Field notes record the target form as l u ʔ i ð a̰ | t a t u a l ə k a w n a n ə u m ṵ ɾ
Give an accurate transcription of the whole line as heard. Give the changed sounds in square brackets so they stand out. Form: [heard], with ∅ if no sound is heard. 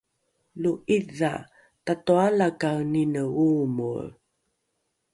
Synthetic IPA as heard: l u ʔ i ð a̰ | t a t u a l [a] k a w n [i] n ə u m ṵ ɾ